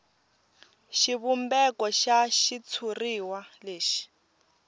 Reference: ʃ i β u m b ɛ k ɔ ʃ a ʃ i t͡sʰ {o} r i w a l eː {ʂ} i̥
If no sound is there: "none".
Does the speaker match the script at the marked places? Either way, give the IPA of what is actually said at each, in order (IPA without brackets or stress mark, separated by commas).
u, ʃ